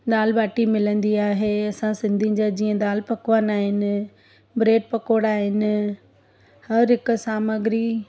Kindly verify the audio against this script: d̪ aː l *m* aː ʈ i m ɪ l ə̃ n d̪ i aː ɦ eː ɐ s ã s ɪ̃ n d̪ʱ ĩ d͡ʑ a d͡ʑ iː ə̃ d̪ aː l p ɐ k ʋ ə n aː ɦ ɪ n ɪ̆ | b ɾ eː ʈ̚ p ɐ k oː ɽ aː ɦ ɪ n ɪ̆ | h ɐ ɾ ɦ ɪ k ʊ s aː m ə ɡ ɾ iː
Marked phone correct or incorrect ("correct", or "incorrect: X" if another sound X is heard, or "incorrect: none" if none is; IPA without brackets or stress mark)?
incorrect: b